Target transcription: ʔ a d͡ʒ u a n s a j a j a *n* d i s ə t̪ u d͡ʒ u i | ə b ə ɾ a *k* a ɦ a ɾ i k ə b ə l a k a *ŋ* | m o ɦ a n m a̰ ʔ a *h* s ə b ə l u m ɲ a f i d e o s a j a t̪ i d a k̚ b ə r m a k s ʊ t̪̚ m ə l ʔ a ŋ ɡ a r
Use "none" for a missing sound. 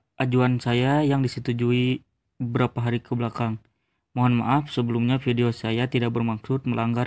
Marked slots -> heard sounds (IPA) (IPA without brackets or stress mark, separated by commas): ŋ, p, ŋ, f